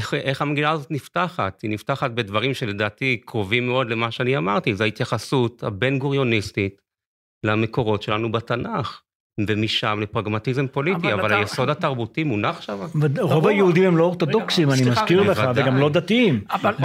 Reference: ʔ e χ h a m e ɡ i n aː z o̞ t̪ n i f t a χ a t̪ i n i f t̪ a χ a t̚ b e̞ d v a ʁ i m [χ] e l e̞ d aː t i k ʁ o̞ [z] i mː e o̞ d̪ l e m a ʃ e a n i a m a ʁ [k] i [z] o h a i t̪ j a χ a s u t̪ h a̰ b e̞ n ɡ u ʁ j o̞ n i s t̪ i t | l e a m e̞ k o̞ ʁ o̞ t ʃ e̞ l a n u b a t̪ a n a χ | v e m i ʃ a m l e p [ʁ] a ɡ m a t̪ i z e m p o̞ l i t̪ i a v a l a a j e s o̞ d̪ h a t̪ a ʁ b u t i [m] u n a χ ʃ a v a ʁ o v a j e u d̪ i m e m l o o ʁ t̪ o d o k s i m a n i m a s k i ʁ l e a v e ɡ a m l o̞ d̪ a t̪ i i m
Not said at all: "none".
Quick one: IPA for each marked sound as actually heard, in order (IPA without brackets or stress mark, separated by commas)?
ʃ, v, t, z, ʁ, m